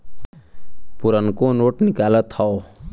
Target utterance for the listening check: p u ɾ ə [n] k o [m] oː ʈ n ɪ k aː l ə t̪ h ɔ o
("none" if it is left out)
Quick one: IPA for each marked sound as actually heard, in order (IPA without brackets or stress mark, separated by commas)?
n, n